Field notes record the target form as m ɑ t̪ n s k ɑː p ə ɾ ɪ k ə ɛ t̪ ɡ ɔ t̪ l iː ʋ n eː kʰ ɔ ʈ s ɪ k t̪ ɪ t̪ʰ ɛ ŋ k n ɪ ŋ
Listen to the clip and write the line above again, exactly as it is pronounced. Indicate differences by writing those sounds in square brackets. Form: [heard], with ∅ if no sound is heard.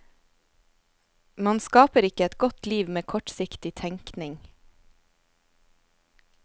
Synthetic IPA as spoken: m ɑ [∅] n s k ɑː p ə ɾ ɪ k ə ɛ t̪ ɡ ɔ t̪ l iː ʋ [m] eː kʰ ɔ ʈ s ɪ k t̪ ɪ t̪ʰ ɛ ŋ k n ɪ ŋ